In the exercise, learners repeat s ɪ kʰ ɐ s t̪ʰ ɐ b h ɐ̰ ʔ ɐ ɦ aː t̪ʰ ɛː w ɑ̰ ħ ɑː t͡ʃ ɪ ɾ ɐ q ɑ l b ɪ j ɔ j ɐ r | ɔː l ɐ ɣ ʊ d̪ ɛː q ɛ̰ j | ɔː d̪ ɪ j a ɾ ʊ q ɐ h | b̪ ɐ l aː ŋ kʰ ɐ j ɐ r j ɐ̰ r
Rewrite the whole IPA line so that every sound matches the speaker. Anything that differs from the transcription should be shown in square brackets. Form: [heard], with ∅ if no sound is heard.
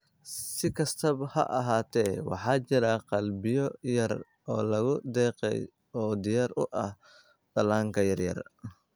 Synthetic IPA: s ɪ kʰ ɐ s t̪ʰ ɐ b h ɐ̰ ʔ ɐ ɦ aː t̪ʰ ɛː w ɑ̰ ħ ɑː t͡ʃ ɪ ɾ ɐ q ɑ l b ɪ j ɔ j ɐ r | ɔː l ɐ ɣ ʊ d̪ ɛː q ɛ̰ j | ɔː d̪ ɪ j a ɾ ʊ [ʔ] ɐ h | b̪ ɐ l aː ŋ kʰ ɐ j ɐ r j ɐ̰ r

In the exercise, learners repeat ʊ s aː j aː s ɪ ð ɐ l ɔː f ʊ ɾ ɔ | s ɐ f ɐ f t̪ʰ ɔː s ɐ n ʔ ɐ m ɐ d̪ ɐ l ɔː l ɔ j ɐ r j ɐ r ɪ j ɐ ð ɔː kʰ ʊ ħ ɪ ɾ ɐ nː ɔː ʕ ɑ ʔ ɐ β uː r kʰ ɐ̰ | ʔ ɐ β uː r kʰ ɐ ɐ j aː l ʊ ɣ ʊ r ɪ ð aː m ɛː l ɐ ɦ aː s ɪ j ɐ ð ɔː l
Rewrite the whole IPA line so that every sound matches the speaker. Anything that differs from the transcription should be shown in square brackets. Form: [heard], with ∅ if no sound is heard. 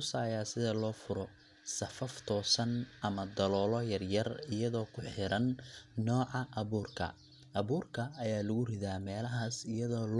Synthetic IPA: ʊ s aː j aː s ɪ ð ɐ l ɔː f ʊ ɾ ɔ | s ɐ f ɐ f t̪ʰ ɔː s ɐ n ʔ ɐ m ɐ d̪ ɐ l ɔː l ɔ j ɐ r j ɐ r ɪ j ɐ ð ɔː kʰ ʊ ħ ɪ ɾ ɐ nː ɔː ʕ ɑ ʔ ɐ β uː r kʰ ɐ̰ | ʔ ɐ β uː r kʰ ɐ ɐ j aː l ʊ ɣ ʊ r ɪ ð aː m ɛː l ɐ ɦ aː s ɪ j ɐ ð ɔː l

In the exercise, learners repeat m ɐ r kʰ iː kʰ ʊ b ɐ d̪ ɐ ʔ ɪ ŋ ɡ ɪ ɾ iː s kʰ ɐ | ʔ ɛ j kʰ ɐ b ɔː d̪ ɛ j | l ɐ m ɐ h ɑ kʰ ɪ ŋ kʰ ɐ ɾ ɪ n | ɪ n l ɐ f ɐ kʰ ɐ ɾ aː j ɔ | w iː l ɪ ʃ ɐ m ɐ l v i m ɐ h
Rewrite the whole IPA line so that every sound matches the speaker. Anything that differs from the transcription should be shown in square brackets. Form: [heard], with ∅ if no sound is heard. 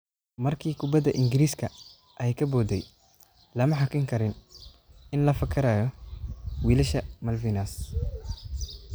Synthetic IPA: m ɐ r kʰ iː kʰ ʊ b ɐ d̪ ɐ ʔ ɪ ŋ ɡ ɪ ɾ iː s kʰ ɐ | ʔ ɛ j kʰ ɐ b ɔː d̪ ɛ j | l ɐ m ɐ [ħ] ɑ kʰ ɪ ŋ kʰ ɐ ɾ ɪ n | ɪ n l ɐ f ɐ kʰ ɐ ɾ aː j ɔ | w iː l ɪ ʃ ɐ m ɐ l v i [n] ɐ [s]

